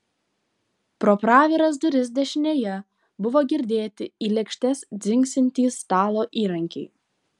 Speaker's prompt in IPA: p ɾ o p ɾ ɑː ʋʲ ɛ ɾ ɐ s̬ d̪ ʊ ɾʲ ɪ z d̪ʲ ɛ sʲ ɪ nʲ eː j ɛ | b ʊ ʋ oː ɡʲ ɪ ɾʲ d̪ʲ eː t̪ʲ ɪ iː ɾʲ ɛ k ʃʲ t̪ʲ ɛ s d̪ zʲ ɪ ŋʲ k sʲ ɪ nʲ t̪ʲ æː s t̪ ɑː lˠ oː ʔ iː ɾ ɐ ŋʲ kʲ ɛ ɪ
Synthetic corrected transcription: p ɾ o p ɾ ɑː ʋʲ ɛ ɾ ɐ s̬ d̪ ʊ ɾʲ ɪ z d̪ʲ ɛ ʃʲ ɪ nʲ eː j ɛ | b ʊ ʋ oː ɡʲ ɪ ɾʲ d̪ʲ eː t̪ʲ ɪ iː lʲ ɛ k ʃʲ t̪ʲ ɛ s d̪ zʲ ɪ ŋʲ k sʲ ɪ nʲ t̪ʲ iː s t̪ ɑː lˠ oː ʔ iː ɾ ɐ ŋʲ kʲ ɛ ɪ